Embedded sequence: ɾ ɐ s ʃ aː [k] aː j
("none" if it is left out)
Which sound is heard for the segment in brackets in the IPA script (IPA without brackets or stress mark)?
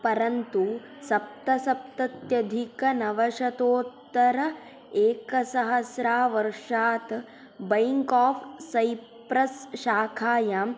kʰ